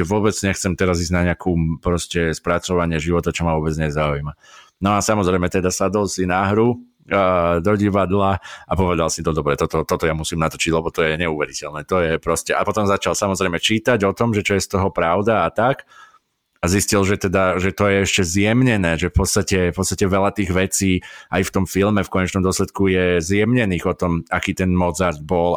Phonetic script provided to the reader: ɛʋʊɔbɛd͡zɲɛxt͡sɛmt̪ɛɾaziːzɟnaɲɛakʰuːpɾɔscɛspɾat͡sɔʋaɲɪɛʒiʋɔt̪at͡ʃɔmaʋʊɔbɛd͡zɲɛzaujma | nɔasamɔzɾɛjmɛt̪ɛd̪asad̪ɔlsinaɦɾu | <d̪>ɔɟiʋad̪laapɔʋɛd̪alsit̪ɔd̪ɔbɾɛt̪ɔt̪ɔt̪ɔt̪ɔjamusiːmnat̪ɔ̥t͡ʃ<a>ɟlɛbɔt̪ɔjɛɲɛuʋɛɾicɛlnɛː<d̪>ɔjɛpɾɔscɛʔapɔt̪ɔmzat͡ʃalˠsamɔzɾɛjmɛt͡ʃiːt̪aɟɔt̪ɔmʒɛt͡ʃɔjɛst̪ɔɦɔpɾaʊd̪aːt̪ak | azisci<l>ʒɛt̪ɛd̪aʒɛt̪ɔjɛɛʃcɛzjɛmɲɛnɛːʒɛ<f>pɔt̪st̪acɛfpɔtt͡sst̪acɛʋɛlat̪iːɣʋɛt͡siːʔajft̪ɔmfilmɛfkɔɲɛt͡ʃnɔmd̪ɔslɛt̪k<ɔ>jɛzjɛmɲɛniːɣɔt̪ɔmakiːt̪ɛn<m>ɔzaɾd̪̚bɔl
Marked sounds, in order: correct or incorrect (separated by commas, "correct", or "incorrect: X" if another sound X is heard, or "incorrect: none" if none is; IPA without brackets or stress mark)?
correct, incorrect: i, incorrect: t̪, correct, correct, incorrect: u, correct